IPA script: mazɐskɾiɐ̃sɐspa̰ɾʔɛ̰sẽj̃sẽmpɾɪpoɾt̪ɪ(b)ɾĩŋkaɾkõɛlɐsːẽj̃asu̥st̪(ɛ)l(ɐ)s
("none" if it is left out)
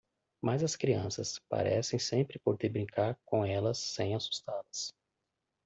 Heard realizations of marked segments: b, a, ɐ

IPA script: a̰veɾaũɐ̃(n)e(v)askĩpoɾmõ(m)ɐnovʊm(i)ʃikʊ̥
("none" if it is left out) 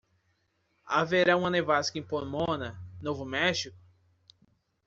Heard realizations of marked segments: n, v, n, ɛ

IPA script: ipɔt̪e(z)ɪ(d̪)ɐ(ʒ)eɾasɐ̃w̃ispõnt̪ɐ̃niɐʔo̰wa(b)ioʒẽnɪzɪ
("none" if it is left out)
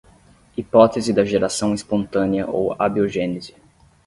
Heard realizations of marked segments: z, d̪, ʒ, b

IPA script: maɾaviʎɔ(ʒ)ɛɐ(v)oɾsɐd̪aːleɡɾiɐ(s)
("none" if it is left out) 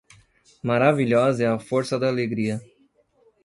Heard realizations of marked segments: z, f, none

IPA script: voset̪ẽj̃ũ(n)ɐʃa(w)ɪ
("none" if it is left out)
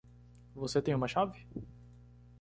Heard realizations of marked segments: m, v

